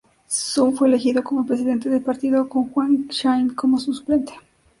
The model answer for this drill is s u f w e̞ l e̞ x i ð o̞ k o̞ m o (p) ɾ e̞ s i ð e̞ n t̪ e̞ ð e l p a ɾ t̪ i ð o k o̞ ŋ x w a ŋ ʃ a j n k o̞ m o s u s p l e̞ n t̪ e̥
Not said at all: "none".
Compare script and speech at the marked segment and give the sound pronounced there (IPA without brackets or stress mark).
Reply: p